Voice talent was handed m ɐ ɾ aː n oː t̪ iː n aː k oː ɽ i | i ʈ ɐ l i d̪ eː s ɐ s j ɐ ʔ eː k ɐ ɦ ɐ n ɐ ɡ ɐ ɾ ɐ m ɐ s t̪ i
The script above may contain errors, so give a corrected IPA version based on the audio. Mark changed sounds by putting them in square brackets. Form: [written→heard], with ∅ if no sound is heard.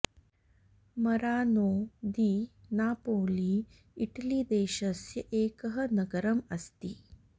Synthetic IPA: m ɐ ɾ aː n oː [t̪→d̪] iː n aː [k→p] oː [ɽ→l] i | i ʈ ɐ l i d̪ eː [s→ʃ] ɐ s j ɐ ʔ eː k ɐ ɦ ɐ n ɐ ɡ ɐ ɾ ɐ m ɐ s t̪ i